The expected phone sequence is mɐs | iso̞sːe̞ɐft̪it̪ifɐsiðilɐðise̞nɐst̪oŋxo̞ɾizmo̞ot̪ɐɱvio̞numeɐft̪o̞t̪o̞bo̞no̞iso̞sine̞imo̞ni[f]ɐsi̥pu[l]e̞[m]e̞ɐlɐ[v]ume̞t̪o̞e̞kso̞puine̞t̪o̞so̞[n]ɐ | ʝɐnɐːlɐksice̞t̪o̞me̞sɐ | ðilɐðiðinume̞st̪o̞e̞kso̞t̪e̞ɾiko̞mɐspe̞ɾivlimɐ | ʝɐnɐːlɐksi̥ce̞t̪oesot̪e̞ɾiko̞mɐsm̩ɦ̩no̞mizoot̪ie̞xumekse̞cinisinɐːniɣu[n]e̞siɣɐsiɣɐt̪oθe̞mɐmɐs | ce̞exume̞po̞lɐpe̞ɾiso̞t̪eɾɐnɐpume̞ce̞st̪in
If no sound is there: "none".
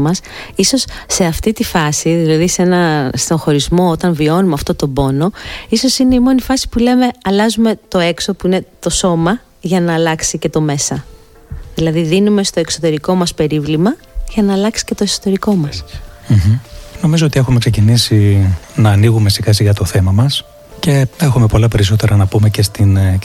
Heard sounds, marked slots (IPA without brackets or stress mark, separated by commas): f, l, m, z, m, m